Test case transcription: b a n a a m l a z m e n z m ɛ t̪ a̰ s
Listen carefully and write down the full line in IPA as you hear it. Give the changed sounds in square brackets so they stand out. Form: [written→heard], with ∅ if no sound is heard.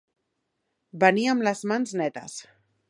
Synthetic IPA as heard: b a n [a→i] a m l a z m [e→a] n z [m→n] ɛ t̪ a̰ s